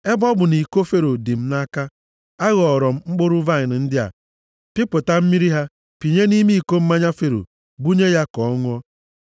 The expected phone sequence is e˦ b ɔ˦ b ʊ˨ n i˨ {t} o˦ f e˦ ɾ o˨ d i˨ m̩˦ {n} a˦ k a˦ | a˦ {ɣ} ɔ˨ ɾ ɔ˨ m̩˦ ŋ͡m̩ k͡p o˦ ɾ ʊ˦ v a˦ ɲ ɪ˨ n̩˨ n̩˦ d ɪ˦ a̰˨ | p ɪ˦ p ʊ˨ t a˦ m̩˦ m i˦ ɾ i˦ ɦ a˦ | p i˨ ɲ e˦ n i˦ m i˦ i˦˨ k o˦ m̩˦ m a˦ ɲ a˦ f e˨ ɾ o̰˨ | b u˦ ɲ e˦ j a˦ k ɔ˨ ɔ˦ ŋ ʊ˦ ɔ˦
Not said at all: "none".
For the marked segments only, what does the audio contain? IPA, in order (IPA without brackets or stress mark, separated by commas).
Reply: k, n, ɣ